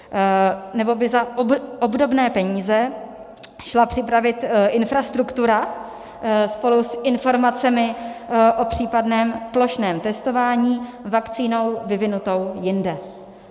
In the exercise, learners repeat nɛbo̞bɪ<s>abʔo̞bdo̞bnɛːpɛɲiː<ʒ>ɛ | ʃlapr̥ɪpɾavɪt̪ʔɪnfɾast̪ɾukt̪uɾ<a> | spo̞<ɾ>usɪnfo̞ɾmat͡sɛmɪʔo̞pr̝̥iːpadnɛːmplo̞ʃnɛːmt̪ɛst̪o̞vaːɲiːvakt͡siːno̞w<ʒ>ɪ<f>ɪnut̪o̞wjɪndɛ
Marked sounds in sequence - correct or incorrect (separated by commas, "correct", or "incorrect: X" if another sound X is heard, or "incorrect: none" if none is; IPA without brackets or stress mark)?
incorrect: z, incorrect: z, correct, incorrect: l, incorrect: v, incorrect: v